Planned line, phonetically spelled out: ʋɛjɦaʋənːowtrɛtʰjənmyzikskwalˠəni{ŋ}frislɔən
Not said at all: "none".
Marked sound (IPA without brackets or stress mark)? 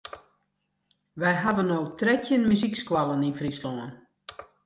n